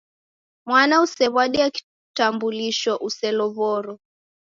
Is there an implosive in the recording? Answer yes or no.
yes